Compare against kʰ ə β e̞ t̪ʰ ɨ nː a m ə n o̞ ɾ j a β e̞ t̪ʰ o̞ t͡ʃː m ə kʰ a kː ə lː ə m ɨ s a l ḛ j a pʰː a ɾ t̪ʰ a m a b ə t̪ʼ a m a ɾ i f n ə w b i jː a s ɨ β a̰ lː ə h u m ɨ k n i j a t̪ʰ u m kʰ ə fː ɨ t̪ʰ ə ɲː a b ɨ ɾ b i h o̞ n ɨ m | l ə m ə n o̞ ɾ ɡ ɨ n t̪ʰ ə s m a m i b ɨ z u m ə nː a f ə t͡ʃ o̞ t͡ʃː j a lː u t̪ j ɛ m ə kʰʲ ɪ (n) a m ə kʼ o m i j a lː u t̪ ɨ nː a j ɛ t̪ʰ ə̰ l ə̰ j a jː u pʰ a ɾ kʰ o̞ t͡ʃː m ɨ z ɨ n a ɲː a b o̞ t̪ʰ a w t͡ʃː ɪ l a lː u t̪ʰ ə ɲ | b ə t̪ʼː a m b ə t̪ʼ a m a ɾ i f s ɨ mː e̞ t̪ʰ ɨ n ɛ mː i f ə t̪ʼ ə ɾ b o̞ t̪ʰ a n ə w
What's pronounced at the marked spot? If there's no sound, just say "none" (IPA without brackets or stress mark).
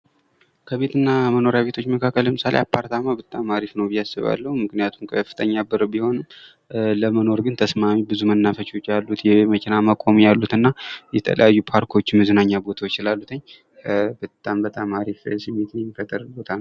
n